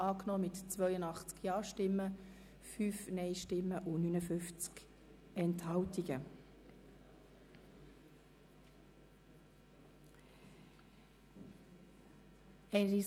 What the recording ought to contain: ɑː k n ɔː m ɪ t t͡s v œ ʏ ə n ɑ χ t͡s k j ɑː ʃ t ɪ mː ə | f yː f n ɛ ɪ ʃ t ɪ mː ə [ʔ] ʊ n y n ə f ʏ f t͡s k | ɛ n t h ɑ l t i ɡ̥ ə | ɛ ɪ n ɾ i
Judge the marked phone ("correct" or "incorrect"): correct